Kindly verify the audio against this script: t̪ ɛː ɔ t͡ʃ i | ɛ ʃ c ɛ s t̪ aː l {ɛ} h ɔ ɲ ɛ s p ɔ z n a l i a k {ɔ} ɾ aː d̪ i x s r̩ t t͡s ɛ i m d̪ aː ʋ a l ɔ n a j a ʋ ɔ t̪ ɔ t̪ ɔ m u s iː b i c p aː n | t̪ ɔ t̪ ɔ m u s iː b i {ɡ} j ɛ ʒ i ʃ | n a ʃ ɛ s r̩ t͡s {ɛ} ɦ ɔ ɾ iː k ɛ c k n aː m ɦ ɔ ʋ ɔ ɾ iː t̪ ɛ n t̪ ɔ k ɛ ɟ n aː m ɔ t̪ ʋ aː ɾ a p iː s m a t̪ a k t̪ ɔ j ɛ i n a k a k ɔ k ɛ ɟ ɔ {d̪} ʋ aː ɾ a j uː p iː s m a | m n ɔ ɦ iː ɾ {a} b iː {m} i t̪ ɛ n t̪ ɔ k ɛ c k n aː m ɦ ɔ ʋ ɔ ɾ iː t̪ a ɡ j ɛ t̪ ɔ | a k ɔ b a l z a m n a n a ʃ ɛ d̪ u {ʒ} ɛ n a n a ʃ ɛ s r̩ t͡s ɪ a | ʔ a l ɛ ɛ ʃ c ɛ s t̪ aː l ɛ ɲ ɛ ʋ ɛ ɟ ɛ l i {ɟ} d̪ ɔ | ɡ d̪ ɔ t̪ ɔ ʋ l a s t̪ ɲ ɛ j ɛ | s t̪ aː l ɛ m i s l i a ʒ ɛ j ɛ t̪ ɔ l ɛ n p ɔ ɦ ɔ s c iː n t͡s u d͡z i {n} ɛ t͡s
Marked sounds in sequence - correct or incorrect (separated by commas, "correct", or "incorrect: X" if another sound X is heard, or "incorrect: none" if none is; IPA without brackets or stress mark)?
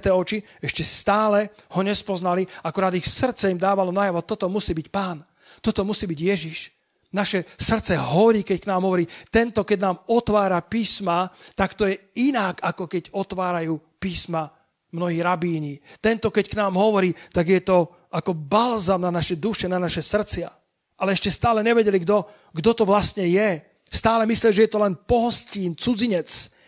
correct, incorrect: u, incorrect: ɟ, correct, incorrect: t̪, correct, incorrect: ɲ, incorrect: ʃ, incorrect: ɡ, incorrect: ɲ